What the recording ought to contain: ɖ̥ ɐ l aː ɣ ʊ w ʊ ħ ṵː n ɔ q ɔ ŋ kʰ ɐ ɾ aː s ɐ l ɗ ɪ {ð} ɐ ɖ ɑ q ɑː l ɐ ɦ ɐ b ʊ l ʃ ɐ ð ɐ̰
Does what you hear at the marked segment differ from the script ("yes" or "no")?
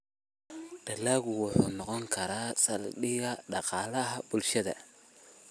yes